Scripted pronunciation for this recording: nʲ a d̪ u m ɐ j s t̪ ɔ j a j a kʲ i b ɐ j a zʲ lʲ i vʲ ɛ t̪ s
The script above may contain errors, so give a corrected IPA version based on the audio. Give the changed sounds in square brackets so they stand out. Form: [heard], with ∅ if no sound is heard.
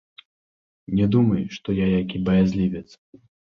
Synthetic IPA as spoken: nʲ [ɛ] d̪ u m ɐ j [ʂ] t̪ ɔ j a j a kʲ i b ɐ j a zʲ lʲ i vʲ ɛ t̪ s

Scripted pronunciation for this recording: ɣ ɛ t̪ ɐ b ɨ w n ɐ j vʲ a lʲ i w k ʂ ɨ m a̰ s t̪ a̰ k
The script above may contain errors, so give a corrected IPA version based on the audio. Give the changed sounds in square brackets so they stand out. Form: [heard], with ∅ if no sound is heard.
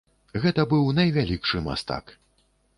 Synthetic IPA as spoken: ɣ ɛ t̪ ɐ b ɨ w n ɐ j vʲ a lʲ i [∅] k ʂ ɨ m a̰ s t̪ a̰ k

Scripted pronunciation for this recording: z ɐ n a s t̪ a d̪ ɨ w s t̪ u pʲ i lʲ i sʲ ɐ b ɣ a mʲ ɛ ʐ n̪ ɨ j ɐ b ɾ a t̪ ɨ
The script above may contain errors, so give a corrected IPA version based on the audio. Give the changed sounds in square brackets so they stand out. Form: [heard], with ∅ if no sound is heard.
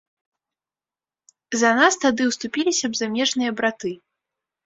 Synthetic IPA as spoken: z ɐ n a s t̪ a d̪ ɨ w s t̪ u pʲ i lʲ i sʲ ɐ b [z] a mʲ ɛ ʐ n̪ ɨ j ɐ b ɾ a t̪ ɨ

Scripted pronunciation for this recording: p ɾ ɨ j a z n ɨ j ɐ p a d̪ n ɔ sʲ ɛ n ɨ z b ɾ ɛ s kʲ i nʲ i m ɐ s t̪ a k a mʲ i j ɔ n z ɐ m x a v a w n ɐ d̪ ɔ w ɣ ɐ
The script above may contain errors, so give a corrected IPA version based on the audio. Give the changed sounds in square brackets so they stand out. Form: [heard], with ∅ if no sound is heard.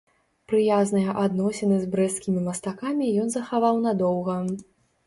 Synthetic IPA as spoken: p ɾ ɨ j a z n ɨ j ɐ [ʔ] a d̪ n ɔ sʲ ɛ n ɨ z b ɾ ɛ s kʲ i [mʲ] i m ɐ s t̪ a k a mʲ i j ɔ n z ɐ [∅] x a v a w n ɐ d̪ ɔ w ɣ ɐ

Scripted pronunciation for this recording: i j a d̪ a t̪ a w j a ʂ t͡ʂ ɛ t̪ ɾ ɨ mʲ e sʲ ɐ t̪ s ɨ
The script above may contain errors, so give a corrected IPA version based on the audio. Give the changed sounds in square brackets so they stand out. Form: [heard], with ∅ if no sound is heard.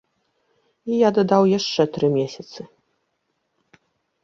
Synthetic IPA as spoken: i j a d̪ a [d̪] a w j a ʂ t͡ʂ ɛ t̪ ɾ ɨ mʲ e sʲ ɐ t̪ s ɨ

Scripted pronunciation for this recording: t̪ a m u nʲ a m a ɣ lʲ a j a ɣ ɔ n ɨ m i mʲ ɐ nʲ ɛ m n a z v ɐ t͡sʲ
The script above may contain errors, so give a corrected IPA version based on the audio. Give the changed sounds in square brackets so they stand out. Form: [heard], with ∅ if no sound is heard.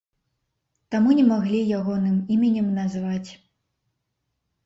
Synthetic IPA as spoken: t̪ a m u nʲ [ɛ] m a ɣ lʲ [i] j a ɣ ɔ n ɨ m i mʲ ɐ nʲ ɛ m n a z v [a] t͡sʲ

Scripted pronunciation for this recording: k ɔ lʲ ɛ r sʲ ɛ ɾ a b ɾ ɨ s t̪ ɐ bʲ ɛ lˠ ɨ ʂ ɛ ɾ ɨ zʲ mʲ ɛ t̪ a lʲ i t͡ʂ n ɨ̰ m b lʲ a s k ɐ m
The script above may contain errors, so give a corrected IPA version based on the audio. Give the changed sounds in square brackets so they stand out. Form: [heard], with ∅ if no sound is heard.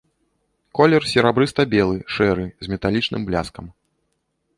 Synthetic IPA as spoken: k ɔ lʲ ɛ r sʲ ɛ ɾ a b ɾ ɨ s t̪ ɐ bʲ ɛ lˠ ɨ ʂ ɛ ɾ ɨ zʲ mʲ ɛ t̪ a lʲ i t͡ʂ n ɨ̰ m b lʲ a s k ɐ m

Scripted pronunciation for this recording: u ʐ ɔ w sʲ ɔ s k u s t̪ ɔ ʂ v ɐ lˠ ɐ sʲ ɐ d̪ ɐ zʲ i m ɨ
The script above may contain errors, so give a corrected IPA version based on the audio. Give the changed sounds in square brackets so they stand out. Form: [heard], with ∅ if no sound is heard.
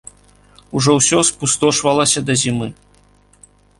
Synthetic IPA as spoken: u ʐ ɔ w sʲ ɔ s [p] u s t̪ ɔ ʂ v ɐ lˠ ɐ sʲ ɐ d̪ ɐ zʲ i m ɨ

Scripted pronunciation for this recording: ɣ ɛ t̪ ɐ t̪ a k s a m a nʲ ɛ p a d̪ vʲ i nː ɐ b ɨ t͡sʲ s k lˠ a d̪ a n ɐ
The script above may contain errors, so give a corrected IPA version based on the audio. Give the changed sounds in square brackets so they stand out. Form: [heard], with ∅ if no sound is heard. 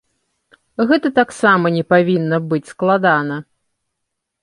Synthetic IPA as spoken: ɣ ɛ t̪ ɐ t̪ a k s a m [ɐ] nʲ ɛ p a [∅] vʲ i nː ɐ b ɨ t͡sʲ s k lˠ a d̪ a n ɐ

